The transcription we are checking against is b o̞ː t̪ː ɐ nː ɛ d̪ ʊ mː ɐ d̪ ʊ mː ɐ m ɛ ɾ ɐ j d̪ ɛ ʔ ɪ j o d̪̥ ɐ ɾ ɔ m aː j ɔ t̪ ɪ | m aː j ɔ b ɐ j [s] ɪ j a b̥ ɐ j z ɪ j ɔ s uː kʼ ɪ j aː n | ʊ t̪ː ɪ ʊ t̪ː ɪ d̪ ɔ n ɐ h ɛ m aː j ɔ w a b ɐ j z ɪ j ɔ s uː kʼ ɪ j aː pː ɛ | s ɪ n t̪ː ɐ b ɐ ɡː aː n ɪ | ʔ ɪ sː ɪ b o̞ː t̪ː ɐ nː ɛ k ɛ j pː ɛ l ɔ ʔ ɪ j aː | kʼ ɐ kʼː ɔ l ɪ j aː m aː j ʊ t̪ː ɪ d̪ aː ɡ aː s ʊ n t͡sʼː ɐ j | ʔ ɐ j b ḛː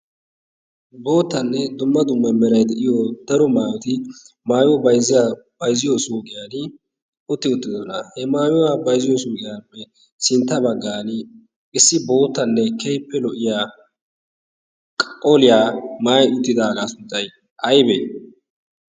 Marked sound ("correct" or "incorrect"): incorrect